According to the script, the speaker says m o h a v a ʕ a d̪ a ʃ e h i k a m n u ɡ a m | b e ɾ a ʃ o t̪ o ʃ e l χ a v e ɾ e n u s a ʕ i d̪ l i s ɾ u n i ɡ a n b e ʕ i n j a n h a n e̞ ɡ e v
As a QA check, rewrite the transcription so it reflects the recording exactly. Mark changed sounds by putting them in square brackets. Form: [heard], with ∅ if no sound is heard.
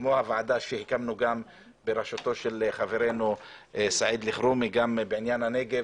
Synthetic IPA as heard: m o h a v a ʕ a d̪ a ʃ e h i k a m n u ɡ a m | b e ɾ a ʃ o t̪ o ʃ e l χ a v e ɾ e n u s a ʕ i d̪ l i [χ] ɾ u [m] i ɡ a [m] b e ʕ i n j a n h a n e̞ ɡ e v